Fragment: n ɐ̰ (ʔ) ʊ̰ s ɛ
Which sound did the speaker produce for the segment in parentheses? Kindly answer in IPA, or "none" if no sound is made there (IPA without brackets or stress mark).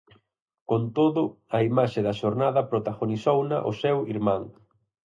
ʔ